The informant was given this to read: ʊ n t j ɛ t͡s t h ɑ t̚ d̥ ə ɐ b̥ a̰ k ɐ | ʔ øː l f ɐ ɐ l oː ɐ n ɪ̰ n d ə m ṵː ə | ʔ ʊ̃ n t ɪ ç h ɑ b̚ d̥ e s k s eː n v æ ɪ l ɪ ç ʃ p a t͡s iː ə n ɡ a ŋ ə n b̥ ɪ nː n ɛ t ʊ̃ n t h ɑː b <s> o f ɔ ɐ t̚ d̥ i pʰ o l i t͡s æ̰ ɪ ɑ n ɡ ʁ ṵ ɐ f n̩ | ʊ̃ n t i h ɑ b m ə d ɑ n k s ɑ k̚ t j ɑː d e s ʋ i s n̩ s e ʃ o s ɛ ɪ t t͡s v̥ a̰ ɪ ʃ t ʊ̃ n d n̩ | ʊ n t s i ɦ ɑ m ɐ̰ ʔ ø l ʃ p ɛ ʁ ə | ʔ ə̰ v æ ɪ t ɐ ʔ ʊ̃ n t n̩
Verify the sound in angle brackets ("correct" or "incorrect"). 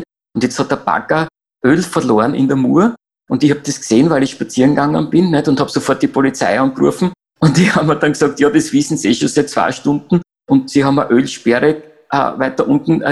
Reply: correct